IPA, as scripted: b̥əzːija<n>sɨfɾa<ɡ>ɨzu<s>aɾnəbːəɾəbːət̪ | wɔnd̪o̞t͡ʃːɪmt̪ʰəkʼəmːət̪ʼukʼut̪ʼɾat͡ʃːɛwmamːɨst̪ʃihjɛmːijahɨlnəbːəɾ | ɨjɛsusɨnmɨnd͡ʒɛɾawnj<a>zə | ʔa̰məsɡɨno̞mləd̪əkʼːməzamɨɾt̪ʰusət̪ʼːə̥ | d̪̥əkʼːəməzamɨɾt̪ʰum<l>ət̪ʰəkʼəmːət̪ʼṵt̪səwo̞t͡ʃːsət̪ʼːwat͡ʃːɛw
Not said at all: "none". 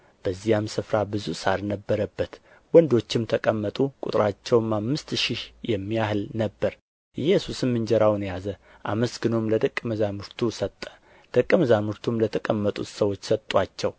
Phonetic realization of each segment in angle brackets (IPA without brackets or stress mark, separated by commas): m, b, s, a, l